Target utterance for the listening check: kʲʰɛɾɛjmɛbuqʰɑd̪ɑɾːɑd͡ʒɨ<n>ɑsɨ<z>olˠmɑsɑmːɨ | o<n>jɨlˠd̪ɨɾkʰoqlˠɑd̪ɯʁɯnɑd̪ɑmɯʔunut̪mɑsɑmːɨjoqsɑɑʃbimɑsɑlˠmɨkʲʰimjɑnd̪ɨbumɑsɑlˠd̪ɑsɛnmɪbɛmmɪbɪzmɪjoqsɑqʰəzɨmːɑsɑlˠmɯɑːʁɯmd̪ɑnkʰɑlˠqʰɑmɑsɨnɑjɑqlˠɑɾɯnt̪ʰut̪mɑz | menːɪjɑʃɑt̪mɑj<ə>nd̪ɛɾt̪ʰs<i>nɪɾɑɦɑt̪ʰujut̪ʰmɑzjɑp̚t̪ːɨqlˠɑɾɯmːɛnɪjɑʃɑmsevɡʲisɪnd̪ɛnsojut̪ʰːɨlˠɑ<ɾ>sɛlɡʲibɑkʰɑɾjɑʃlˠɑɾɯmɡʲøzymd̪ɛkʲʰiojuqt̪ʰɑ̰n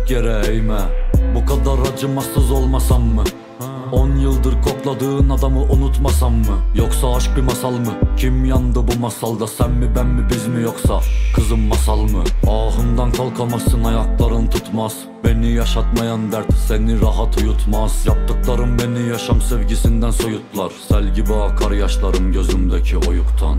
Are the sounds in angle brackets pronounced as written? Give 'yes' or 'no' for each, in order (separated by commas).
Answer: no, yes, yes, no, no, yes